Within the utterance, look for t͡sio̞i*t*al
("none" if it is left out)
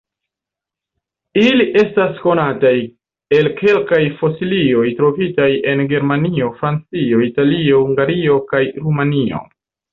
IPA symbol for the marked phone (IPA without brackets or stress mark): t